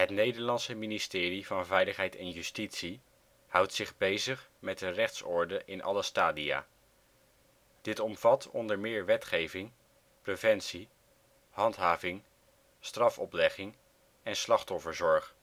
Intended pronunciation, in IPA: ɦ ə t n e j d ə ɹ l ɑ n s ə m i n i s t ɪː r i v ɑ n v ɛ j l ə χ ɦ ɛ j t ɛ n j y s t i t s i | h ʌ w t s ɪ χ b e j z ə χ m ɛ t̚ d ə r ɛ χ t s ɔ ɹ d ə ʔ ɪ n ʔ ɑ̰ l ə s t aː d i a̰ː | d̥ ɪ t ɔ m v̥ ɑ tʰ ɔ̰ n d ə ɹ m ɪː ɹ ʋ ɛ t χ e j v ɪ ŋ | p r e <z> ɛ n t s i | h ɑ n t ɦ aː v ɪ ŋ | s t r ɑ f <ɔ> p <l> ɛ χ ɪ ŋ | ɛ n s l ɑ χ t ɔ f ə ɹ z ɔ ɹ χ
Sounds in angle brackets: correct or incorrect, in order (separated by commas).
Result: incorrect, correct, correct